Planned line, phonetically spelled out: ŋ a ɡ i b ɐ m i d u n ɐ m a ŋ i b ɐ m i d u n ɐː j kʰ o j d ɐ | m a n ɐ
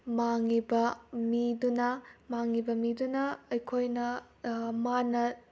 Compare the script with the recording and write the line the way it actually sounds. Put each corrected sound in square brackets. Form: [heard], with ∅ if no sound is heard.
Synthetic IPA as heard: [m] a [ŋ] i b ɐ m i d u n ɐ m a ŋ i b ɐ m i d u n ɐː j kʰ o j [n] ɐ | m a n ɐ